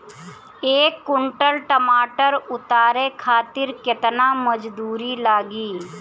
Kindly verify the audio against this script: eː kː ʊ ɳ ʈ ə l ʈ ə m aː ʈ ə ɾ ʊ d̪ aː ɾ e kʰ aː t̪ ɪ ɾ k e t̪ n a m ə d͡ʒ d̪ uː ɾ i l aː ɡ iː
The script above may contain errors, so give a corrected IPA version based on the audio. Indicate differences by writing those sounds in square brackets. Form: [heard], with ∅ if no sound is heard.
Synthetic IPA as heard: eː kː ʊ ɳ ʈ ə l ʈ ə m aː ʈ ə ɾ ʊ [t̪] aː ɾ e kʰ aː t̪ ɪ ɾ k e t̪ n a m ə d͡ʒ d̪ uː ɾ i l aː ɡ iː